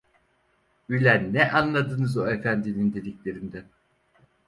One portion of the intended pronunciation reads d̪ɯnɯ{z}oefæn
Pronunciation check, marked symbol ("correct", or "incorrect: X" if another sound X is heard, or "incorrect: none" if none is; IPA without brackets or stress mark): correct